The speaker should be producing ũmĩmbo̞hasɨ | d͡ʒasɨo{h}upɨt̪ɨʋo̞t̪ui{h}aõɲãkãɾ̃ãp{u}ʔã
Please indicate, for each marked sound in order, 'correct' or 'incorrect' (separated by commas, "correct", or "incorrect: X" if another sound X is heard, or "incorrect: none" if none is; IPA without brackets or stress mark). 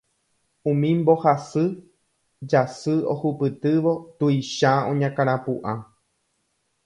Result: correct, incorrect: ʃ, correct